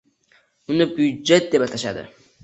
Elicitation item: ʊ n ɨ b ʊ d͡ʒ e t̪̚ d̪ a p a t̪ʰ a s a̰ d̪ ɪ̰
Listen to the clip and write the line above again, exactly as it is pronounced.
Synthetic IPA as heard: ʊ n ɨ b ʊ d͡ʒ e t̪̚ d̪ e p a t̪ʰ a ʃ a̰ d̪ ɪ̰